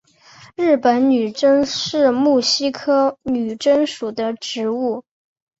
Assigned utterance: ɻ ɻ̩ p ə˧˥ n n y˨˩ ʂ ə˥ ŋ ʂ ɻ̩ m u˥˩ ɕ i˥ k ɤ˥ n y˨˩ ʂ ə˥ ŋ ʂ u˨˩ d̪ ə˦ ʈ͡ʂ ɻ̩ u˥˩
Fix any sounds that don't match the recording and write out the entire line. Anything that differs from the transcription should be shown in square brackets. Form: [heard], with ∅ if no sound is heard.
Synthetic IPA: ɻ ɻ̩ p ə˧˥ n n y˨˩ [ʈ͡ʂ] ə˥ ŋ ʂ ɻ̩ m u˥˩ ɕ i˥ [kʰ] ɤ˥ n y˨˩ [ʈ͡ʂ] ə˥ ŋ ʂ u˨˩ d̪ ə˦ ʈ͡ʂ ɻ̩ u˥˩